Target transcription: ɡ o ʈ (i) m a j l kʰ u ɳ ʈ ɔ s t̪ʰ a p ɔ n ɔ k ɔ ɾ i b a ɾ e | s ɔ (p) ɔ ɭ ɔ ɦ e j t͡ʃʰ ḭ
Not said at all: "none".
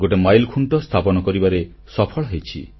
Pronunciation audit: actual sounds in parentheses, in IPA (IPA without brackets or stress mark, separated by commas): e, pʰ